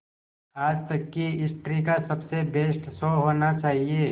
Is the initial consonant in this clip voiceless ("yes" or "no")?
no